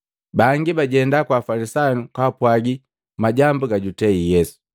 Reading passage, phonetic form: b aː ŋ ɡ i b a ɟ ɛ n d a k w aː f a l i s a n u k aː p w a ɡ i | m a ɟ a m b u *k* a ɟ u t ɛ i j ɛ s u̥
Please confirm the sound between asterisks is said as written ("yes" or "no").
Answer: no